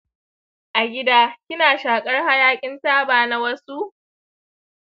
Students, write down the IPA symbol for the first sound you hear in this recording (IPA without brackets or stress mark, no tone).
ʔ